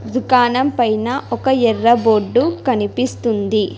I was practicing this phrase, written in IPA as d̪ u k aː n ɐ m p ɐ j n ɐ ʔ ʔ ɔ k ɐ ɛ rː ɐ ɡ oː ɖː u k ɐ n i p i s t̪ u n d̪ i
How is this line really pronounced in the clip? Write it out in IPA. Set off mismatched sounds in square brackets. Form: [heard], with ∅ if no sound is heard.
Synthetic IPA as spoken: d̪ u k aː n ɐ m p ɐ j n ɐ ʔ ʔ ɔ k ɐ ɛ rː ɐ [b] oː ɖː u k ɐ n i p i s t̪ u n d̪ i